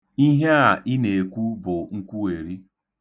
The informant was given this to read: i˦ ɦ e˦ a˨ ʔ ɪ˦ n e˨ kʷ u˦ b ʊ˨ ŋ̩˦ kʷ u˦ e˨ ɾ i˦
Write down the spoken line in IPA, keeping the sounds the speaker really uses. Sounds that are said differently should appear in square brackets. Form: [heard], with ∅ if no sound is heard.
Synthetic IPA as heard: i˦ ɦ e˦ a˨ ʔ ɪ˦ n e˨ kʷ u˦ b ʊ˨ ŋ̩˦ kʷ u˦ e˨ ɾ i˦